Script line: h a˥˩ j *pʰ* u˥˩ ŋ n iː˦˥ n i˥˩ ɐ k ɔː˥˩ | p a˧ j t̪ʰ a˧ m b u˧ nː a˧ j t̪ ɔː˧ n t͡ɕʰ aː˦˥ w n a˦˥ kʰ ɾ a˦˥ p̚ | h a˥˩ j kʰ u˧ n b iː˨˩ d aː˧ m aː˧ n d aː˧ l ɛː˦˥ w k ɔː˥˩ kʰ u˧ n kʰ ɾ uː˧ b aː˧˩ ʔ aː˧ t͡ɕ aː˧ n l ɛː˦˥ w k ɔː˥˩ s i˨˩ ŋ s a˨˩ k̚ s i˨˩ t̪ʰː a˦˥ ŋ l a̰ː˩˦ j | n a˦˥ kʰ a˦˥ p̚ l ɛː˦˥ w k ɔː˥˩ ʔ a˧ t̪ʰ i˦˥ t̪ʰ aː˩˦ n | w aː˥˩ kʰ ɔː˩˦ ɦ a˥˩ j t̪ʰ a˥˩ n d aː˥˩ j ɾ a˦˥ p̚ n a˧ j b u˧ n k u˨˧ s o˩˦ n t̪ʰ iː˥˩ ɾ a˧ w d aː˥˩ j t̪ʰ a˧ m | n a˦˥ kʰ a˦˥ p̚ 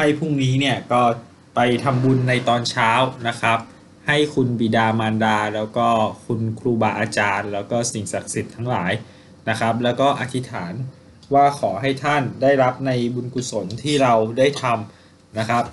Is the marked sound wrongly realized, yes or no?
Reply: no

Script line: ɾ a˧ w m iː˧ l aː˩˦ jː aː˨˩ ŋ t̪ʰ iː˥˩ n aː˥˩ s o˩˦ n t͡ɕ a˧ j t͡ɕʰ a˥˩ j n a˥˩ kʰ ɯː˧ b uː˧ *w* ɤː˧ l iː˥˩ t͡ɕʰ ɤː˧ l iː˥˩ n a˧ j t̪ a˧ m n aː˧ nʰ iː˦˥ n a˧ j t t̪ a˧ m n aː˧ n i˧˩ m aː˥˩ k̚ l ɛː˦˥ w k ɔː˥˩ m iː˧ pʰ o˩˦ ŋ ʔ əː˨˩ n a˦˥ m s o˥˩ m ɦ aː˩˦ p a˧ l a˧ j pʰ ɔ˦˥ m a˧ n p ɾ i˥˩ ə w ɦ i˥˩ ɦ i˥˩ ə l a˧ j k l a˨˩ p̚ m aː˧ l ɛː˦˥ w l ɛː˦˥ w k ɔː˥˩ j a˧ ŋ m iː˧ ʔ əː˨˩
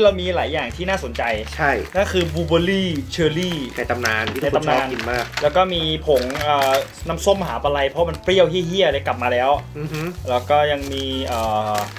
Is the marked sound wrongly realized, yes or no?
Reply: yes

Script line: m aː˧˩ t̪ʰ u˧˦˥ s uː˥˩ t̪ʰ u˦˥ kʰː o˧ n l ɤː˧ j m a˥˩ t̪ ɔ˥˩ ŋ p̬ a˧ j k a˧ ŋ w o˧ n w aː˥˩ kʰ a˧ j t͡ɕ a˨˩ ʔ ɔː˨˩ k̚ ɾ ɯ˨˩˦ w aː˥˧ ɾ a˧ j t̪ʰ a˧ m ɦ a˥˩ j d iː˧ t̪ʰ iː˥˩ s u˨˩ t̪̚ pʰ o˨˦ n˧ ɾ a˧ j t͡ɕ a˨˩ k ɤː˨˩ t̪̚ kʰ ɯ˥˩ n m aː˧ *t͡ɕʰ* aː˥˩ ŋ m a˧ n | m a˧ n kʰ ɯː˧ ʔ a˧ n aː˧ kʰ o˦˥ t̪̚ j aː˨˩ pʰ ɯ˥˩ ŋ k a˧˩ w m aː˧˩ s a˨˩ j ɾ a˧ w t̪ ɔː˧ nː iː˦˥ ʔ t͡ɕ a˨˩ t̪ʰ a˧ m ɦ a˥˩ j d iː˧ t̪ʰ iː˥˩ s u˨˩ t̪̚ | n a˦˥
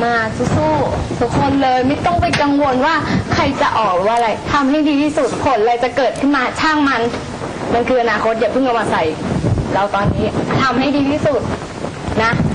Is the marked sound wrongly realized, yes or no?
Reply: no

